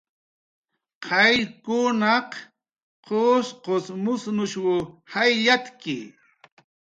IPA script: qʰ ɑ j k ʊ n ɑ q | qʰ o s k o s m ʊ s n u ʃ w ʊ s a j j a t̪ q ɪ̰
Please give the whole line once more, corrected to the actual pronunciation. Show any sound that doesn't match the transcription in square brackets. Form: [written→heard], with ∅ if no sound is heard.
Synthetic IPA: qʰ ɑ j k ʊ n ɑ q | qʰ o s [k→q] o s m ʊ s n [u→ʊ] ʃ w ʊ [s→h] a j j a t̪ [q→k] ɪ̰